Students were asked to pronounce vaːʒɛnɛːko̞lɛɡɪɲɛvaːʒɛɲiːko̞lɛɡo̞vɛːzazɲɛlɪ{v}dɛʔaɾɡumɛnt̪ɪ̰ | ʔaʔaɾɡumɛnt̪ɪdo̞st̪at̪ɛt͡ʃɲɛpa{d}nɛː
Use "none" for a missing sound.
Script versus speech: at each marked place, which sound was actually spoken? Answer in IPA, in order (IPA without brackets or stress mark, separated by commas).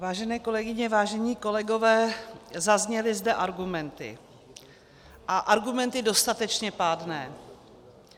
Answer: z, d